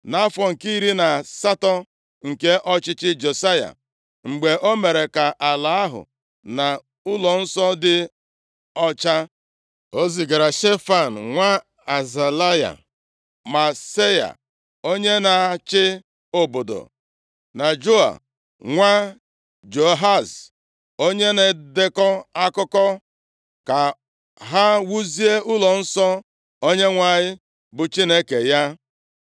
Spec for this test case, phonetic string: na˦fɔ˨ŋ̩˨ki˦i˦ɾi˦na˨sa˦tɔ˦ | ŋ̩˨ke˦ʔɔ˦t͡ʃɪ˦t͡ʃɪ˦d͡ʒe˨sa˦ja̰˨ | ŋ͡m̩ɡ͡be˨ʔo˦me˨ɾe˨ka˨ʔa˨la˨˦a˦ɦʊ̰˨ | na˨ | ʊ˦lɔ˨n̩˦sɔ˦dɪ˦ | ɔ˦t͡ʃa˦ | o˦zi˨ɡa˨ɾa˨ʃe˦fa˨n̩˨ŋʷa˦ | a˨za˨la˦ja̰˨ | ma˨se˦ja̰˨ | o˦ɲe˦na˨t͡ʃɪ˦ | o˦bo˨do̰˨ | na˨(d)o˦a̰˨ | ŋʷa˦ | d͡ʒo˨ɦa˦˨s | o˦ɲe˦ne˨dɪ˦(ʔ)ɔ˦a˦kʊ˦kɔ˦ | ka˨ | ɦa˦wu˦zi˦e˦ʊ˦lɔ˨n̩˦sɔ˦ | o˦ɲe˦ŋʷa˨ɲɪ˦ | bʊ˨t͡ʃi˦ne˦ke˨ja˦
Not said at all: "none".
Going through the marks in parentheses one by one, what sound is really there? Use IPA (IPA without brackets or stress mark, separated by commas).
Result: d͡ʒ, k